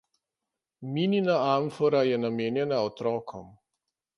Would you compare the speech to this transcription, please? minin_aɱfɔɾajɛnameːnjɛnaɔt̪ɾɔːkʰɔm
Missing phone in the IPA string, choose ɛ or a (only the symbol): a